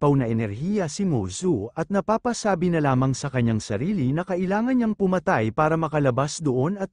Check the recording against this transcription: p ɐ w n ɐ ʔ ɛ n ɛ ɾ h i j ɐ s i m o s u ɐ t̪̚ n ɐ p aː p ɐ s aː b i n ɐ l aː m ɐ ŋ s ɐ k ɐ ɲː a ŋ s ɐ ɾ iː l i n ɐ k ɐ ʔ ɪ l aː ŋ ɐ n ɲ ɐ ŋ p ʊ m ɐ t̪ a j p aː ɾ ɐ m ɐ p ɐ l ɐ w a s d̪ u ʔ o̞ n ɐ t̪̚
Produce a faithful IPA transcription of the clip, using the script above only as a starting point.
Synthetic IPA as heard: p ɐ w n ɐ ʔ ɛ n ɛ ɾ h i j ɐ s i m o s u ɐ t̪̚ n ɐ p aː p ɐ s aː b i n ɐ l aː m ɐ ŋ s ɐ k ɐ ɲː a ŋ s ɐ ɾ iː l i n ɐ k ɐ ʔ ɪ l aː ŋ ɐ n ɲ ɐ ŋ p ʊ m ɐ t̪ a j p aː ɾ ɐ m ɐ k ɐ l ɐ b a s d̪ o ʔ o̞ n ɐ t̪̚

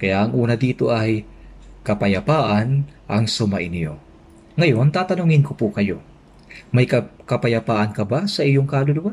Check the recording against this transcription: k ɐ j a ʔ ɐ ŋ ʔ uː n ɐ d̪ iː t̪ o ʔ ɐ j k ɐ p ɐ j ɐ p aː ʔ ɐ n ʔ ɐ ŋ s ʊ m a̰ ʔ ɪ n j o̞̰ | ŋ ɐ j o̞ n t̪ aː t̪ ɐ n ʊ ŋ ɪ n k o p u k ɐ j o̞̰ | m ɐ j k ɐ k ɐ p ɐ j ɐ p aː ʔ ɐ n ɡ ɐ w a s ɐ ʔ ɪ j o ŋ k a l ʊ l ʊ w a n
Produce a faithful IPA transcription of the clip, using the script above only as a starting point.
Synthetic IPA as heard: k ɐ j a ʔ ɐ ŋ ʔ uː n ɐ d̪ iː t̪ o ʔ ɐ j k ɐ p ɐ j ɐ p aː ʔ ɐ n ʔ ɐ ŋ s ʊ m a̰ ʔ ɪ n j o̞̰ | ŋ ɐ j o̞ n t̪ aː t̪ ɐ n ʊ ŋ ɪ n k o p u k ɐ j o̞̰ | m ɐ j k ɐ k ɐ p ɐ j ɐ p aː ʔ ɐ n k ɐ b a s ɐ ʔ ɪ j o ŋ k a l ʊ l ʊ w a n

